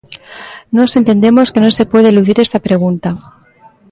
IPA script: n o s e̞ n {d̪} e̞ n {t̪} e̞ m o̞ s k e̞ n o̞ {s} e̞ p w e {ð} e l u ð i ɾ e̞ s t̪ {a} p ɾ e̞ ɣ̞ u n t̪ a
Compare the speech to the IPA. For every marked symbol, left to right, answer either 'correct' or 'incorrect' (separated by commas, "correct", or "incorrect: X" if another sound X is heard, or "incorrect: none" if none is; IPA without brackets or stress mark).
incorrect: t̪, incorrect: d̪, correct, correct, correct